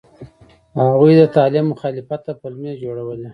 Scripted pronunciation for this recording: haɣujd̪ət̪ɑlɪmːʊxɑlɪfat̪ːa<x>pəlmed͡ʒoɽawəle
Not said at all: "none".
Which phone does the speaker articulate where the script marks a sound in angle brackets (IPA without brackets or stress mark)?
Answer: none